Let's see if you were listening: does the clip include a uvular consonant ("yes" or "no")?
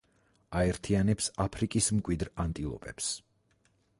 no